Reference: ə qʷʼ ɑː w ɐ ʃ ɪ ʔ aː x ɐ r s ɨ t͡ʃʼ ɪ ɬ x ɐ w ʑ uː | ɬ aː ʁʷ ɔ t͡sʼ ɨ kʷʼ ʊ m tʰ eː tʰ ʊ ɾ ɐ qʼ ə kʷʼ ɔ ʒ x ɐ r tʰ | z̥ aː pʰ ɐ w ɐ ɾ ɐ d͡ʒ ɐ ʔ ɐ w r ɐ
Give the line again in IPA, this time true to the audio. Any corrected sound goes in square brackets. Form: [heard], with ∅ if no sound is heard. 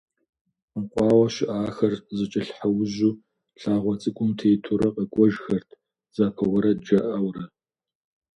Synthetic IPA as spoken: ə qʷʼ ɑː w ɐ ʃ ɪ ʔ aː x ɐ r [z] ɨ t͡ʃʼ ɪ ɬ [ħ] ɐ w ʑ uː | ɬ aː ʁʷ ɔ t͡sʼ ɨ kʷʼ ʊ m tʰ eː tʰ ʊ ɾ ɐ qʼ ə kʷʼ ɔ ʒ x ɐ r tʰ | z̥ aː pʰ ɐ w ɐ ɾ ɐ d͡ʒ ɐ ʔ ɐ w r ɐ

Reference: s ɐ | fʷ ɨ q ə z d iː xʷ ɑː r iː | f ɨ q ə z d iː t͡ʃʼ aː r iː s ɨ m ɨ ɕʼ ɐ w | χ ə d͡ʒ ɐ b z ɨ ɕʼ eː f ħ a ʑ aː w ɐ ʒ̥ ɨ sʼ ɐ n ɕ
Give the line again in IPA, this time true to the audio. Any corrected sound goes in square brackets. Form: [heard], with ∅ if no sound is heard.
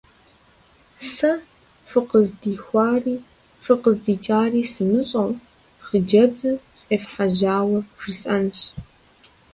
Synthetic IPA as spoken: s ɐ | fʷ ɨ q ə z d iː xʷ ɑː r iː | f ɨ q ə z d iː t͡ʃʼ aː r iː s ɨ m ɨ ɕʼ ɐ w | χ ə d͡ʒ ɐ b z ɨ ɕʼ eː f ħ a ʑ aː w ɐ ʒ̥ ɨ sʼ ɐ n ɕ

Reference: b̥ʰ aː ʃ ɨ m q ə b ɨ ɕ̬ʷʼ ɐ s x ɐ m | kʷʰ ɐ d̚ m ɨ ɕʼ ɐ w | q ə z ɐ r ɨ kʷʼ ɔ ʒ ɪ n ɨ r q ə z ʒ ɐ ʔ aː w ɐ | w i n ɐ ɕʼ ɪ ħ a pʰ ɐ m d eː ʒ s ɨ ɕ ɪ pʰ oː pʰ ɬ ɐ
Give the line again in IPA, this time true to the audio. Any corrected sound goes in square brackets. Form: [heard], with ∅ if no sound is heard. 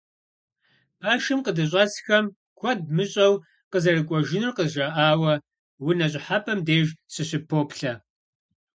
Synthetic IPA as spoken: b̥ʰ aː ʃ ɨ m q ə [d] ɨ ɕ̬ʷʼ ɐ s x ɐ m | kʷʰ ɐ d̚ m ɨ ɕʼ ɐ w | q ə z ɐ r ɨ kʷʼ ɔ ʒ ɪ n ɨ r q ə z ʒ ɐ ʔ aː w ɐ | w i n ɐ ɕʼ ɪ ħ a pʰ ɐ m d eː ʒ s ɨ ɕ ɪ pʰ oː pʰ ɬ ɐ

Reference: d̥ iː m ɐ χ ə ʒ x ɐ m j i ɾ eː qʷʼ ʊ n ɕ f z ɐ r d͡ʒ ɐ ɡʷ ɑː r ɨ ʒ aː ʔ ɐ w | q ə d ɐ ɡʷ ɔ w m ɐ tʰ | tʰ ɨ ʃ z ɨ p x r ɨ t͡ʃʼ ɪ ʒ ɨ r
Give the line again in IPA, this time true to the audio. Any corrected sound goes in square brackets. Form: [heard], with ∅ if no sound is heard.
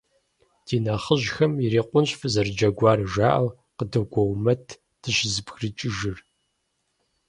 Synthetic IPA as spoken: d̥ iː [n] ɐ χ ə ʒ x ɐ m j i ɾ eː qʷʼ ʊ n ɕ f z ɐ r d͡ʒ ɐ ɡʷ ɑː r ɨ ʒ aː ʔ ɐ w | q ə d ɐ ɡʷ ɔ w m ɐ tʰ | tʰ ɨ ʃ z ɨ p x r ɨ t͡ʃʼ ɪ ʒ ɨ r

